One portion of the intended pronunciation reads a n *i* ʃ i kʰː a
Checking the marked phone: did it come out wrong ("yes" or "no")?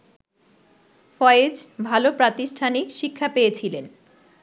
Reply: no